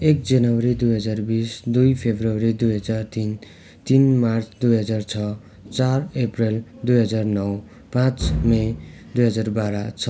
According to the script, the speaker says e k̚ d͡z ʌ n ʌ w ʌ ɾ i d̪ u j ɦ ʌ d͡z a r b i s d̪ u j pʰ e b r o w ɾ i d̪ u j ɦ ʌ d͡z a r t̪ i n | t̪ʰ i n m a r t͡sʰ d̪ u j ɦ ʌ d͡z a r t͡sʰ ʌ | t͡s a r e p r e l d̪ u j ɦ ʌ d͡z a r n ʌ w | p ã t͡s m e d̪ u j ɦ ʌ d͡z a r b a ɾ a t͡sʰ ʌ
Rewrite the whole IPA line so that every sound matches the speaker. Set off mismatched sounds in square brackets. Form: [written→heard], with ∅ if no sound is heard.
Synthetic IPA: e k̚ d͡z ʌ n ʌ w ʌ ɾ i d̪ u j ɦ ʌ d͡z a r b i s d̪ u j pʰ e b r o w ɾ i d̪ u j ɦ ʌ d͡z a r t̪ i n | [t̪ʰ→t̪] i n m a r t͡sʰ d̪ u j ɦ ʌ d͡z a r t͡sʰ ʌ | t͡s a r e p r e l d̪ u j ɦ ʌ d͡z a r n ʌ w | p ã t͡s m e d̪ u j ɦ ʌ d͡z a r b a ɾ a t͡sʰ ʌ